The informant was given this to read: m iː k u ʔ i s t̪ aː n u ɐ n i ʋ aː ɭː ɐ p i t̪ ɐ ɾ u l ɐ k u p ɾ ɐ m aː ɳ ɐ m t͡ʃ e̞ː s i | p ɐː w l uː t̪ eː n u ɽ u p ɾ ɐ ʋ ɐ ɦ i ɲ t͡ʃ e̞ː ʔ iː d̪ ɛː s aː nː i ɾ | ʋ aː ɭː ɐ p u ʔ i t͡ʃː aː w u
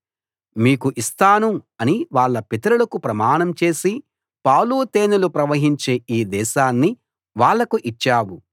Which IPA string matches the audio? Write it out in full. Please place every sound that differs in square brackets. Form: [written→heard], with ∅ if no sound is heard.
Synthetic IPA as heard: m iː k u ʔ i s t̪ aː n u ɐ n i ʋ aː ɭː ɐ p i t̪ ɐ ɾ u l ɐ k u p ɾ ɐ m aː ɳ ɐ m t͡ʃ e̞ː s i | p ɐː w l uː t̪ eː n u [ɽ→l] u p ɾ ɐ ʋ ɐ ɦ i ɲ t͡ʃ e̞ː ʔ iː d̪ ɛː [s→ʃ] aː nː i [ɾ→∅] | ʋ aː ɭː ɐ [p→k] u ʔ i t͡ʃː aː w u